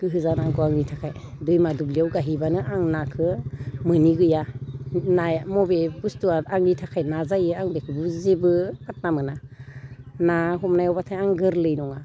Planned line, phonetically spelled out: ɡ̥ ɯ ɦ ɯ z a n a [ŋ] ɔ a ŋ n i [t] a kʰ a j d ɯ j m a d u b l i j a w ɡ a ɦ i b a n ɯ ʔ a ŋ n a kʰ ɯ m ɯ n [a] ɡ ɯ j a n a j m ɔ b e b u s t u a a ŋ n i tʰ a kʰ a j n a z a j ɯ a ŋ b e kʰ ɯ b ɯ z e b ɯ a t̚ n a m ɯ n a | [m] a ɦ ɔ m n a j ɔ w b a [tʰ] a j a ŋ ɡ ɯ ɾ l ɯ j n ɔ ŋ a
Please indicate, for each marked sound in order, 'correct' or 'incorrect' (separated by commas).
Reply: incorrect, incorrect, incorrect, incorrect, correct